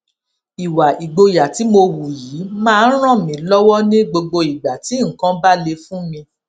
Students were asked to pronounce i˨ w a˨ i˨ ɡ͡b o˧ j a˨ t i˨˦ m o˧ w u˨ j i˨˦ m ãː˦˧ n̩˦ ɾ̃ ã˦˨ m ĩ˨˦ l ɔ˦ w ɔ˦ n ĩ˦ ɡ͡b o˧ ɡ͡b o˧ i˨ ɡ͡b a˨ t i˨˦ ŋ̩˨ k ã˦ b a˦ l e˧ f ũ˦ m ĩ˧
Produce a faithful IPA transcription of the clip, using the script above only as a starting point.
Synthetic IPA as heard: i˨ w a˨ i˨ ɡ͡b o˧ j a˨ t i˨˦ m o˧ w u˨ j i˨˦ m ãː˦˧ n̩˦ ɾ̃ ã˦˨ m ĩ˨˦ l ɔ˦ w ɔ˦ n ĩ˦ ɡ͡b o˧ ɡ͡b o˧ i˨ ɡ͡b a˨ t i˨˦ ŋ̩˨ k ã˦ b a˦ l e˧ f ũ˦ m ĩ˧